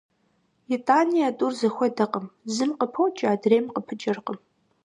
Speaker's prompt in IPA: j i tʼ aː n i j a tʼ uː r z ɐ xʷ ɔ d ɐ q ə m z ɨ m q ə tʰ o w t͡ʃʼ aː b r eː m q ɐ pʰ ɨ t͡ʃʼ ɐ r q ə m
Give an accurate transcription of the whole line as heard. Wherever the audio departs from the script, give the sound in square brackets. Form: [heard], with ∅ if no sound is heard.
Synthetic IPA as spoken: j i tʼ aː n i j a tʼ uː r z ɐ xʷ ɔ d ɐ q ə m z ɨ m q ə [pʰ] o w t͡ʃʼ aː [d] r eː m q [ə] pʰ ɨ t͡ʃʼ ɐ r q ə m